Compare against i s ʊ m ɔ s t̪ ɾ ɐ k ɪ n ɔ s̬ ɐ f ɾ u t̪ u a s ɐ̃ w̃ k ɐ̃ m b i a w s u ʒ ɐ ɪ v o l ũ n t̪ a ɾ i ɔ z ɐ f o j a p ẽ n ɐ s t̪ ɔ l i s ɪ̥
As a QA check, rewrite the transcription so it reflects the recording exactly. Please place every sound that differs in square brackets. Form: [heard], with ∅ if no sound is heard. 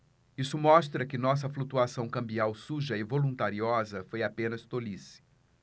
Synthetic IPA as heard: i s ʊ m ɔ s t̪ ɾ ɐ k ɪ n ɔ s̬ ɐ f [l] u t̪ u a s ɐ̃ w̃ k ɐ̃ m b i a w s u ʒ ɐ ɪ v o l ũ n t̪ a ɾ i ɔ z ɐ f o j a p ẽ n ɐ s t̪ [o] l i s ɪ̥